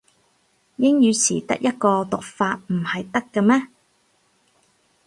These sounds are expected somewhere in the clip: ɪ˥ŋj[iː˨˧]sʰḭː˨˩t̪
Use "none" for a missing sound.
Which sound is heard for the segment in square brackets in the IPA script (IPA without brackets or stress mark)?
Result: yː˨˧